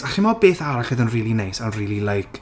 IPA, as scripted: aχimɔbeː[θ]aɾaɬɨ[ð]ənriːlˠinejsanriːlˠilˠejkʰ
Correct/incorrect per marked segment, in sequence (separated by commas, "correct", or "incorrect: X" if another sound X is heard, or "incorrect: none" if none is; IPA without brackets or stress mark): correct, correct